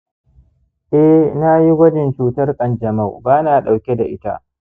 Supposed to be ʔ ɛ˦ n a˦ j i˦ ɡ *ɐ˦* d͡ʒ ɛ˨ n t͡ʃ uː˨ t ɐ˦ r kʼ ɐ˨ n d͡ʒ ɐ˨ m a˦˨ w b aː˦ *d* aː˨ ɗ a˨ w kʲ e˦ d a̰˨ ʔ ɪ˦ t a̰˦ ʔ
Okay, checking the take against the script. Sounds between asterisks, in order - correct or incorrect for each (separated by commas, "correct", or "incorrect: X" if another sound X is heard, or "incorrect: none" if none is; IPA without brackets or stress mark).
correct, incorrect: n